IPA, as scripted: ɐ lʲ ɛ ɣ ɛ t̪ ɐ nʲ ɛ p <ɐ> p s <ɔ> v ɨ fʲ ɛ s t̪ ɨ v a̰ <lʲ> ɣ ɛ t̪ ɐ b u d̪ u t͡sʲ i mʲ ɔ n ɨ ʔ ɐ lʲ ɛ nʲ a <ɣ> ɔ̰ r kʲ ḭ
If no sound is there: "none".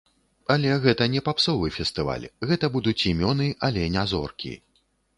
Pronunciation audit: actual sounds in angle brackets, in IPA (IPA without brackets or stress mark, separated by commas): a, ɔ, lʲ, z